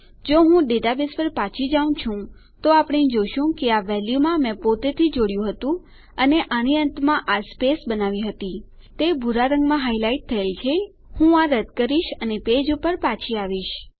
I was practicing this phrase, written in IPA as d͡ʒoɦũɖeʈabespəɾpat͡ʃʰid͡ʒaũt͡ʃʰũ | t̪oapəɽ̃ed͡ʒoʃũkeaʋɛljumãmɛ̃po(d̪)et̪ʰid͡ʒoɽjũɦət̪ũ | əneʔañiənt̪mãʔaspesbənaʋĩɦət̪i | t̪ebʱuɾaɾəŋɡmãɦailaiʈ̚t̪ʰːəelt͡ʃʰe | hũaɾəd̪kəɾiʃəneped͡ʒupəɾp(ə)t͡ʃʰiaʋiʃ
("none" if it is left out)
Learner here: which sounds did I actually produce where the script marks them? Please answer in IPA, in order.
t̪, a

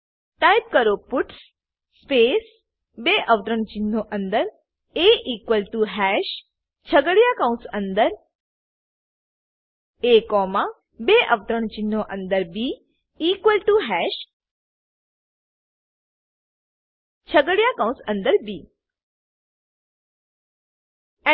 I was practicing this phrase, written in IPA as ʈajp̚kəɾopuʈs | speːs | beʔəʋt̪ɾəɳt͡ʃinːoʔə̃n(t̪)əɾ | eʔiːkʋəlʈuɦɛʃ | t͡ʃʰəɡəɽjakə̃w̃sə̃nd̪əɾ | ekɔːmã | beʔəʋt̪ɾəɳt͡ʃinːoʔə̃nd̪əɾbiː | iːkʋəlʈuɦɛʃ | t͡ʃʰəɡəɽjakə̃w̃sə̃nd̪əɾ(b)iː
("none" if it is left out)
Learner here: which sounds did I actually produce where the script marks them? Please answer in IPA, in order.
d̪, b

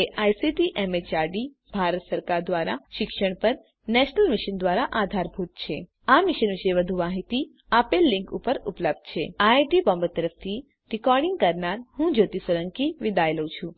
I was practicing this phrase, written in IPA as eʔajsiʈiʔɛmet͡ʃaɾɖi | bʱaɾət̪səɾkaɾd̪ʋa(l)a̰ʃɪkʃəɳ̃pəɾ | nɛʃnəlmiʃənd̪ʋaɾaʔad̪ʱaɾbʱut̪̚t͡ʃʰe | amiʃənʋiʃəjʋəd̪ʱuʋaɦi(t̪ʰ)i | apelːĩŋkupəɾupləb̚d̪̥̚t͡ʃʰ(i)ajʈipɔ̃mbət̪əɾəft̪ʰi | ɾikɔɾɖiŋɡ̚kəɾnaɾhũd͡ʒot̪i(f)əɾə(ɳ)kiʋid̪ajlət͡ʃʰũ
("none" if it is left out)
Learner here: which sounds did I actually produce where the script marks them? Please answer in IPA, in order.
ɾ, t̪, e, s, ŋ

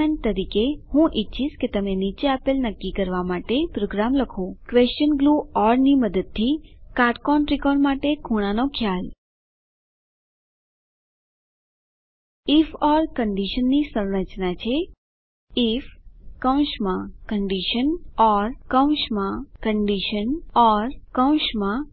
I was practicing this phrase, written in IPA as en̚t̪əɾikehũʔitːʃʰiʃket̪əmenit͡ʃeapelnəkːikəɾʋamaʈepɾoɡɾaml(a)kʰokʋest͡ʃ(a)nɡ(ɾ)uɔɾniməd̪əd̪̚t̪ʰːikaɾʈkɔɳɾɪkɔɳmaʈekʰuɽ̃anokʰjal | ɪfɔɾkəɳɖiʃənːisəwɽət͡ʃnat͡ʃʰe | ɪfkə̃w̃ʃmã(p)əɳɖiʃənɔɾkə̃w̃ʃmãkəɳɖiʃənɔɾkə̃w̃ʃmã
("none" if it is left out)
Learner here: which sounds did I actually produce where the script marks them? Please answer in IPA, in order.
ə, ə, l, k

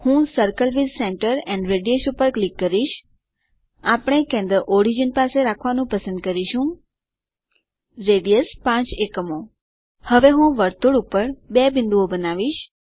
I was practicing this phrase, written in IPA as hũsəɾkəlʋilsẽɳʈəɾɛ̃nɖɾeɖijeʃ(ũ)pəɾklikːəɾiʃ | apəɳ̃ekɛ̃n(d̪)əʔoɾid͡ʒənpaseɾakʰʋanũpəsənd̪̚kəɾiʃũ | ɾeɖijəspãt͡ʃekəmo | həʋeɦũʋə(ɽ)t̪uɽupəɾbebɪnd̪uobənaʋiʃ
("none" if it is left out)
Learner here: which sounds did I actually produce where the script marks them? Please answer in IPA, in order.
u, d̪, ɾ

